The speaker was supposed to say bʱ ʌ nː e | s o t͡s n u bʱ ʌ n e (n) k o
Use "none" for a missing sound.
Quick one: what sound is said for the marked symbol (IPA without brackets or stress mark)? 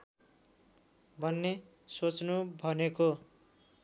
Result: none